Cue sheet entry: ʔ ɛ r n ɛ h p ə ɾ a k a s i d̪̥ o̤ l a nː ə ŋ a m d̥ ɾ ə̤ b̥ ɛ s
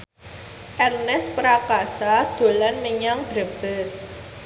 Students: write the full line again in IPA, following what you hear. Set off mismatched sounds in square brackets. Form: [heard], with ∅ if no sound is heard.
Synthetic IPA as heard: ʔ ɛ r n ɛ [s] p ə ɾ a k a s [a] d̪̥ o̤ l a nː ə [ɲ] a [ŋ] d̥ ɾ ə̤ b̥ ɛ s